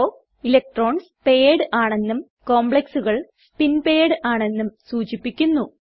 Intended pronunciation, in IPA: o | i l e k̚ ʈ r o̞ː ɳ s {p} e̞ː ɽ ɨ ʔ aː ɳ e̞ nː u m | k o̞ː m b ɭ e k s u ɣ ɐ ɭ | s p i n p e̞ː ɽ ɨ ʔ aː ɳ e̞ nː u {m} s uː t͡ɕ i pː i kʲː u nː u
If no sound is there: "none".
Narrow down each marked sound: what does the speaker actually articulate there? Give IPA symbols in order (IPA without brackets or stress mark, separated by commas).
p, m